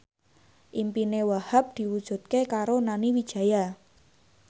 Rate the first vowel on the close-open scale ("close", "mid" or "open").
close